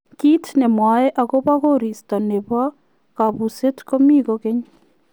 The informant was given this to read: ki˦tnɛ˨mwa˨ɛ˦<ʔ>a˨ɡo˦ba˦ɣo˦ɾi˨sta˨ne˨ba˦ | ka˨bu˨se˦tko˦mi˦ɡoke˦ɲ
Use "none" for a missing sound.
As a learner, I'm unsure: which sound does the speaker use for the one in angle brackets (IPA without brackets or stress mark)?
ʔ